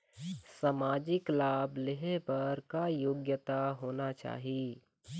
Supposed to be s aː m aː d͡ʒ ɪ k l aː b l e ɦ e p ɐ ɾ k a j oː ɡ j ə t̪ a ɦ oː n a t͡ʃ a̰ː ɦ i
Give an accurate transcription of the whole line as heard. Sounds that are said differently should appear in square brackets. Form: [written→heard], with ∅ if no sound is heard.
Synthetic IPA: s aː m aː d͡ʒ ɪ k l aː b l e ɦ e p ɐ ɾ k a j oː ɡ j ə t̪ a ɦ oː n a t͡ʃ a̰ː ɦ i